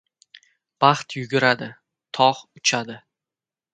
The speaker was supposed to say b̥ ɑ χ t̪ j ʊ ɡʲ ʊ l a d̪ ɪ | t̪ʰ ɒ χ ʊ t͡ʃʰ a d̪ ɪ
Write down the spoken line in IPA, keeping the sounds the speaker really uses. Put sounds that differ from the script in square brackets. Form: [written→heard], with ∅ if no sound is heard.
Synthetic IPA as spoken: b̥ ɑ χ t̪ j ʊ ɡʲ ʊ [l→ɾ] a d̪ ɪ | t̪ʰ ɒ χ ʊ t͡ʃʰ a d̪ ɪ